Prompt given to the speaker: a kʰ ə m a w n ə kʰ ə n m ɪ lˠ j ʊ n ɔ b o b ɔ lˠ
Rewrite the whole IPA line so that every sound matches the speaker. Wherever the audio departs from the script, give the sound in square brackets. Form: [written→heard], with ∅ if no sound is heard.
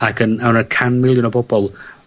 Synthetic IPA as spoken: a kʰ ə [m→n] a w n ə kʰ [ə→a] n m ɪ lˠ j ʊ n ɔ b [o→ɔ] b ɔ lˠ